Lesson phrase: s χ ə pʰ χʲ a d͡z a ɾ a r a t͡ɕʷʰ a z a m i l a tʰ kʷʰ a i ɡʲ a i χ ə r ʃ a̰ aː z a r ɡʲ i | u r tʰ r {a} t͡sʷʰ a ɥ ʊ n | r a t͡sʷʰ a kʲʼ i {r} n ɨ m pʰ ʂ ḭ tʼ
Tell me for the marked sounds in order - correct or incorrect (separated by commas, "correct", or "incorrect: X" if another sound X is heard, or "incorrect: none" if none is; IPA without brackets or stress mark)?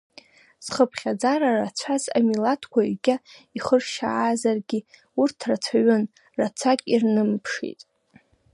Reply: correct, correct